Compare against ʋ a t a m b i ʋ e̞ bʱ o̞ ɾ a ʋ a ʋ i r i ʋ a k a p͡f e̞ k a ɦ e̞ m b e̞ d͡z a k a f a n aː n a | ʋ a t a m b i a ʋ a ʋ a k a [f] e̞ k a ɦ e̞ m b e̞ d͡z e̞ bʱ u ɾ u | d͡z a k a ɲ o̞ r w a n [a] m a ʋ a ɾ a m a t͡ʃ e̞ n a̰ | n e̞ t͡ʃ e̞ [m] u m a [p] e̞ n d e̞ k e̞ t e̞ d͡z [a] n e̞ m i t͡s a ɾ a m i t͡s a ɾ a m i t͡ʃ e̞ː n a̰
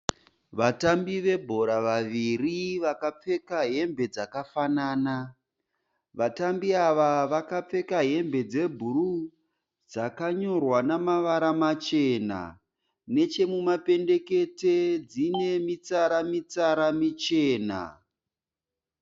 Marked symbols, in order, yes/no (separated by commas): no, yes, yes, yes, no